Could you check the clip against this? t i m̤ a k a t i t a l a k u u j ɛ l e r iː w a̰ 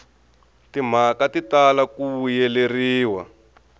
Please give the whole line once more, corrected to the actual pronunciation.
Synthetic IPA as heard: t i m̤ a k a t i t a l a k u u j ɛ l e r iː w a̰